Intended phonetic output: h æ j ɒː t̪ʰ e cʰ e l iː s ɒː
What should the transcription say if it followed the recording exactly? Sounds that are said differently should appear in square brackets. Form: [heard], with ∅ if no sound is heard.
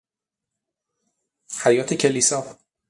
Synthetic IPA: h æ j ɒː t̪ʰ e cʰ e l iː s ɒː